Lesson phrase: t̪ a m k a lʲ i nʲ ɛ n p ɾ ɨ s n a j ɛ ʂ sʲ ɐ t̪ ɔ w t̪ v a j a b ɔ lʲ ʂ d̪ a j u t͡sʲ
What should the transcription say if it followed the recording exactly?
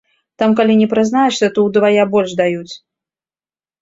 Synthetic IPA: t̪ a m k a lʲ i nʲ ɛ p ɾ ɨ z n a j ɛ ʂ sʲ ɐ t̪ ɔ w d̪ v a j a b ɔ lʲ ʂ d̪ a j u t͡sʲ